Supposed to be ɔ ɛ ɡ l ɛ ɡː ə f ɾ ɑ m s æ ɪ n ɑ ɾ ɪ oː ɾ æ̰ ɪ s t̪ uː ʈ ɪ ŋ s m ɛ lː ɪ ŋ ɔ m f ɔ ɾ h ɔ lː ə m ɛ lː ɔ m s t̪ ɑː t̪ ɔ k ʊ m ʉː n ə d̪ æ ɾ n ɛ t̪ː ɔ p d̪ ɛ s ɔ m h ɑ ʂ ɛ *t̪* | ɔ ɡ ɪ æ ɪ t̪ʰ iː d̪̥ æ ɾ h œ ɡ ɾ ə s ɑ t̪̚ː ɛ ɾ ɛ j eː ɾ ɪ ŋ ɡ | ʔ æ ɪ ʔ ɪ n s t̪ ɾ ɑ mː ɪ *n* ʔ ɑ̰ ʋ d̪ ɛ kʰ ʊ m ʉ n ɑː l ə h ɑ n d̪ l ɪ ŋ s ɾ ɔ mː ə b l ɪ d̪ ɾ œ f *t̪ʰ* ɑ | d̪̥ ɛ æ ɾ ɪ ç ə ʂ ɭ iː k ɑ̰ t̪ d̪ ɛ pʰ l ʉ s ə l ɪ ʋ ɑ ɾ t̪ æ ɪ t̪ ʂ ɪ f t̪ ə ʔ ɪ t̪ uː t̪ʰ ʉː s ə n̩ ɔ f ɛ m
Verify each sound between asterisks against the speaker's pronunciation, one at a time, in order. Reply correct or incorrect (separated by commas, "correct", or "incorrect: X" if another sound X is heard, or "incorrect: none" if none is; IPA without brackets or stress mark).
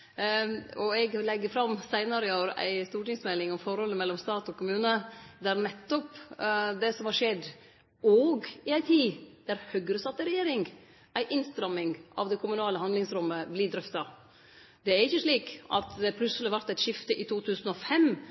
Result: incorrect: d̪, incorrect: ŋ, incorrect: t̪